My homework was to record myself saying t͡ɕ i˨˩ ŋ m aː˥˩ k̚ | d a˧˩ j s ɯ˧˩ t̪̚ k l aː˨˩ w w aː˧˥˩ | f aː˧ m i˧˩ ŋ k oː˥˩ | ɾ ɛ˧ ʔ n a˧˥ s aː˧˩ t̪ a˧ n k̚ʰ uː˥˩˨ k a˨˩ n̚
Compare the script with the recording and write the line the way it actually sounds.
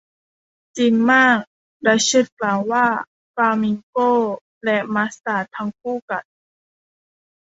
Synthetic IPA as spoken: t͡ɕ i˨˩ ŋ m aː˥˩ k̚ | d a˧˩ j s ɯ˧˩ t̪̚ k l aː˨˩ w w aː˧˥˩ | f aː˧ m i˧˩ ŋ k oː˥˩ | l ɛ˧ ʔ m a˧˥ s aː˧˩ t̪ʰ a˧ ŋ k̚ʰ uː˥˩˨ k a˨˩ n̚